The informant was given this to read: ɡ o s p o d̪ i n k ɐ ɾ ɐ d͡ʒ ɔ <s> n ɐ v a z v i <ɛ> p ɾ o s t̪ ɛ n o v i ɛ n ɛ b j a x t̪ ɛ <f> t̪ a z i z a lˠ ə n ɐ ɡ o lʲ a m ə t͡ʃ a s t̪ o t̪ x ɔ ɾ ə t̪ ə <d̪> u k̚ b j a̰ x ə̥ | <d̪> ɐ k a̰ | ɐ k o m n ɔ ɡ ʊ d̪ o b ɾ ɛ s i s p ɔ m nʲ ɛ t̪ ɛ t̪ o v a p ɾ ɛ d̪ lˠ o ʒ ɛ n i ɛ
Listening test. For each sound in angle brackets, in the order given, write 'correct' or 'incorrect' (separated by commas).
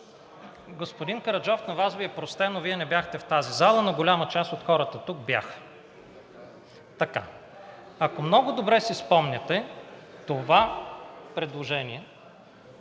incorrect, correct, correct, incorrect, incorrect